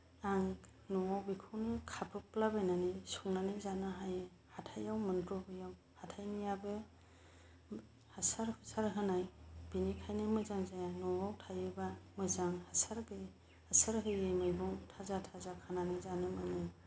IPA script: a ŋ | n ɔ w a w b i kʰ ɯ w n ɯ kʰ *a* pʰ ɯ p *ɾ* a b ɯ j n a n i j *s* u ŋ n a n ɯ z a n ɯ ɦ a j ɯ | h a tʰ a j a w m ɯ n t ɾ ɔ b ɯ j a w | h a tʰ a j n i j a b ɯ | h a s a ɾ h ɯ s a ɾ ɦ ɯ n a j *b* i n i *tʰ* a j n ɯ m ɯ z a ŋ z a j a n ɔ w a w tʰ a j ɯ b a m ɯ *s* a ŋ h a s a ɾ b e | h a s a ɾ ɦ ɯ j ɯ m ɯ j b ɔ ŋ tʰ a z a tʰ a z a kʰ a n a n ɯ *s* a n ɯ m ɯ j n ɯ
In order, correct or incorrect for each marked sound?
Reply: correct, incorrect, correct, correct, incorrect, incorrect, incorrect

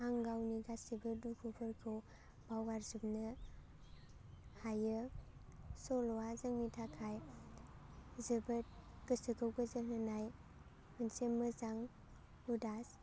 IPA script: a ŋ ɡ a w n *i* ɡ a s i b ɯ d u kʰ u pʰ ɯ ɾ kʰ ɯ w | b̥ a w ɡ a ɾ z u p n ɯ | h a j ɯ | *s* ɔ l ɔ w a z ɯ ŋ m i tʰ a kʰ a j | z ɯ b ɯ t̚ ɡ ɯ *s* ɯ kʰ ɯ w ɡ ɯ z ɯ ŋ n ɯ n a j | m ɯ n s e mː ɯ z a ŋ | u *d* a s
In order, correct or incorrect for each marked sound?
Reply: correct, correct, correct, correct

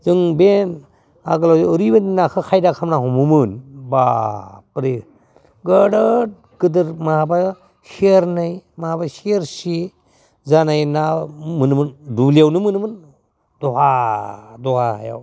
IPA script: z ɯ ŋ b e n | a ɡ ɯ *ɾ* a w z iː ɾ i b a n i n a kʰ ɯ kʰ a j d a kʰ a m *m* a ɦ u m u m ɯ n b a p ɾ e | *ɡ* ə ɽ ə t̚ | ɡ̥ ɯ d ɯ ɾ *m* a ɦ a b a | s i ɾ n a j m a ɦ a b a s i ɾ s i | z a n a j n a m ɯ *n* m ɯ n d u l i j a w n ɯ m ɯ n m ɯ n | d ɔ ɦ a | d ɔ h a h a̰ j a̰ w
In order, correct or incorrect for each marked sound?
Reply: incorrect, incorrect, correct, correct, correct

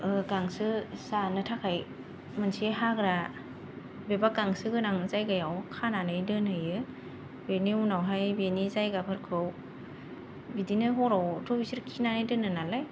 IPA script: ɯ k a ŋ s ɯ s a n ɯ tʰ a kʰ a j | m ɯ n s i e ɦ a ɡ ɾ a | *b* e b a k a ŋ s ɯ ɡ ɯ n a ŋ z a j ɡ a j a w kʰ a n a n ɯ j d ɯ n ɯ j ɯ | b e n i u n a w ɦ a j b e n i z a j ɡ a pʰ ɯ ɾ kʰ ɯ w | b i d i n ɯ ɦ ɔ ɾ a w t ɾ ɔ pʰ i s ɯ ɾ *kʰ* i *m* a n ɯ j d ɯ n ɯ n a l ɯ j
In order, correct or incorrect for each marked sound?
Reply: correct, correct, incorrect

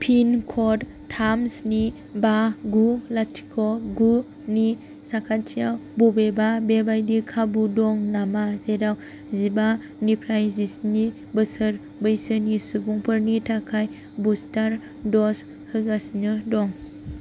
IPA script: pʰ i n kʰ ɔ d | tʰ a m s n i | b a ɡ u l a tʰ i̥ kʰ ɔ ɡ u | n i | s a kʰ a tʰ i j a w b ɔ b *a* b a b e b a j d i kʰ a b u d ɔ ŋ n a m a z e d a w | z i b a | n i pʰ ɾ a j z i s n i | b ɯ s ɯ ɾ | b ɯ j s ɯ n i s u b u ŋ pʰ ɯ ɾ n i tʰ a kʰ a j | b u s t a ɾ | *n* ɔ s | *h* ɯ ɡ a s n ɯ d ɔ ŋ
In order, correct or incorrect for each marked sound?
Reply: incorrect, incorrect, correct

